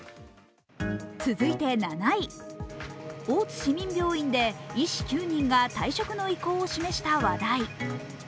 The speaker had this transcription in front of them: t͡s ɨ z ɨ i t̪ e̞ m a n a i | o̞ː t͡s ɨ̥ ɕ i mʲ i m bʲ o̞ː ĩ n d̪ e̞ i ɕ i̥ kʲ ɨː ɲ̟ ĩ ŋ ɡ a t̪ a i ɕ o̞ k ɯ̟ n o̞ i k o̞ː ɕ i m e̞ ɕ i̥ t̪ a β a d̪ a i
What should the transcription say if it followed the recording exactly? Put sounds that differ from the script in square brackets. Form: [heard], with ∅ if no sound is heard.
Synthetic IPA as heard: t͡s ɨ z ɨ i t̪ e̞ [n] a n a i | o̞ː t͡s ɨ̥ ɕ i mʲ [ĩ] m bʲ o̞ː ĩ n d̪ e̞ i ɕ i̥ kʲ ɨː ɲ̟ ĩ ŋ ɡ a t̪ a i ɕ o̞ k ɯ̟ n o̞ i k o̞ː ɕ i m e̞ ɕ i̥ t̪ a β a d̪ a i